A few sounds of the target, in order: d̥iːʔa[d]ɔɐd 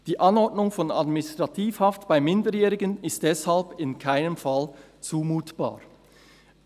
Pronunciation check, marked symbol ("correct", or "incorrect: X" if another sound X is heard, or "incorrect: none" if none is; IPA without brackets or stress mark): incorrect: n